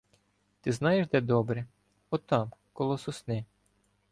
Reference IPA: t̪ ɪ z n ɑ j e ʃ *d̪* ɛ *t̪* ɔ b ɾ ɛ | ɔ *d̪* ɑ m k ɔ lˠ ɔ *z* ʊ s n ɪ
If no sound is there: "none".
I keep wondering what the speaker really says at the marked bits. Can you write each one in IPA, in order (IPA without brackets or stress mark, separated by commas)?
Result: d̪, d̪, t̪, s